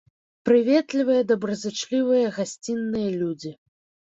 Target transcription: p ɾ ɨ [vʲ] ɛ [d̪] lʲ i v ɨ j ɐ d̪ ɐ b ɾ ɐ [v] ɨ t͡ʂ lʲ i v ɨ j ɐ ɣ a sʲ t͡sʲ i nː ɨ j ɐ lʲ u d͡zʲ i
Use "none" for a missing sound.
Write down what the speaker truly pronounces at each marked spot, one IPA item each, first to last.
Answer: vʲ, t̪, z

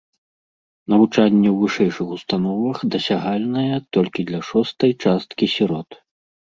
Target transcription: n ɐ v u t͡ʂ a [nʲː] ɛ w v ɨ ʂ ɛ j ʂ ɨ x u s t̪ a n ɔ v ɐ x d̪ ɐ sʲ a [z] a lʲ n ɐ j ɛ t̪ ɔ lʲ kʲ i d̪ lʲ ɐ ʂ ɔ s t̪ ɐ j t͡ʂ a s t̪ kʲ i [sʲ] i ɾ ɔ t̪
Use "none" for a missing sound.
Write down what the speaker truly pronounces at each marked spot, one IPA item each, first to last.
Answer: nʲː, ɣ, sʲ

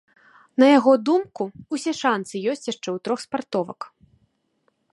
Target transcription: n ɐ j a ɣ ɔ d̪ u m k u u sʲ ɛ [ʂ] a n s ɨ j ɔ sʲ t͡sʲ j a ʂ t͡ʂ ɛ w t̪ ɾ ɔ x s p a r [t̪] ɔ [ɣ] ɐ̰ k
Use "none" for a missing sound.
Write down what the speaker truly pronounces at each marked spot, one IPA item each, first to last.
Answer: ʂ, t̪, v

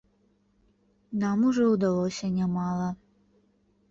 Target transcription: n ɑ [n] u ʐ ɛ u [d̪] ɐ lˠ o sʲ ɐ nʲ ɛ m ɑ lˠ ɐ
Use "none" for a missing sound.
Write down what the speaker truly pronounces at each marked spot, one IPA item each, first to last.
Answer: m, d̪

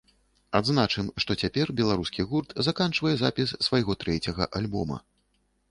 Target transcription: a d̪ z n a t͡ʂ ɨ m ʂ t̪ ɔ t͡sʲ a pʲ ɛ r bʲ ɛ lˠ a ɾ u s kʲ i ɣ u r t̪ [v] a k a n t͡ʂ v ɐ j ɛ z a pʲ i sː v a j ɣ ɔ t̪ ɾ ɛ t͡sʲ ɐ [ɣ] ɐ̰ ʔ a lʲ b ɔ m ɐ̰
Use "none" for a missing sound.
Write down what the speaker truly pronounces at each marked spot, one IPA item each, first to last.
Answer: z, ɣ

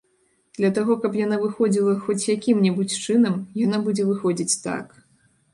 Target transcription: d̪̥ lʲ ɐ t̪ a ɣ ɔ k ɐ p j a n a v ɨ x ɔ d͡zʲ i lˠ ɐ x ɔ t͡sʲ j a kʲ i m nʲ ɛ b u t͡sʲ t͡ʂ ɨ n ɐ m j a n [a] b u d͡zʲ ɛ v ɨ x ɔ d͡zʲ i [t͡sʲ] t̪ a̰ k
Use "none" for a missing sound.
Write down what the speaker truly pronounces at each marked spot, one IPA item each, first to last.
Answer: a, t͡sʲ

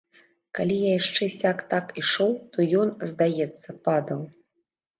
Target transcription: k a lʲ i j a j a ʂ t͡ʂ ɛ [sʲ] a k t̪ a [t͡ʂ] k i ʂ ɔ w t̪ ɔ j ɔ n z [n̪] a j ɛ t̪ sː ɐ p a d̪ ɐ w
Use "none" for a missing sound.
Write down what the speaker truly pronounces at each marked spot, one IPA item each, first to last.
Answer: sʲ, none, d̪

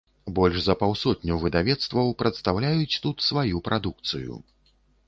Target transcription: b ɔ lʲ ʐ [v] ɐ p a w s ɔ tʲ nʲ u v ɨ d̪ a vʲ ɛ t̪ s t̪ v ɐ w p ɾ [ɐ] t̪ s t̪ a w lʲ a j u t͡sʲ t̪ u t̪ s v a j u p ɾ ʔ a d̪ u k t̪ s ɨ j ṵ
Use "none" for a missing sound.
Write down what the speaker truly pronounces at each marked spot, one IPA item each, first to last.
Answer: z, ɐ

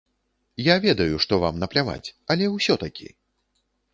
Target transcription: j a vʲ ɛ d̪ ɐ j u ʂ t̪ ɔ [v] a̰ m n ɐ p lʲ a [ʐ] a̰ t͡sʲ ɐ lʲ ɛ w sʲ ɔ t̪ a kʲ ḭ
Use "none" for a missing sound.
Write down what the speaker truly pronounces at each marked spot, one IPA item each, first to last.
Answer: v, v

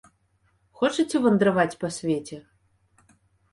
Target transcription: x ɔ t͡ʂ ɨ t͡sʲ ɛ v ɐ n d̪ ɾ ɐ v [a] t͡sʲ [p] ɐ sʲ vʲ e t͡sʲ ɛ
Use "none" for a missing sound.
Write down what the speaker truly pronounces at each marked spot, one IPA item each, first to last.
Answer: a, p

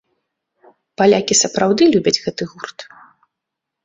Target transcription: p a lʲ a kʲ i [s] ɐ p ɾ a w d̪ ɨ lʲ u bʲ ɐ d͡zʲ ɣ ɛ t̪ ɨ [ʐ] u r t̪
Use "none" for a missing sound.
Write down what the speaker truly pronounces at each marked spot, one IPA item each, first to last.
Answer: s, ɣ

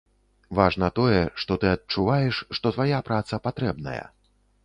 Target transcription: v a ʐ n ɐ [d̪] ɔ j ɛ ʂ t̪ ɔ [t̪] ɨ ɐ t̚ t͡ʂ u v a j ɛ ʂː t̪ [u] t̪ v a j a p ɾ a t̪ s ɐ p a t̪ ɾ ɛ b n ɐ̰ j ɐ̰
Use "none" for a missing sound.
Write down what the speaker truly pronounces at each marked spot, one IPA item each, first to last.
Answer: t̪, t̪, ɔ

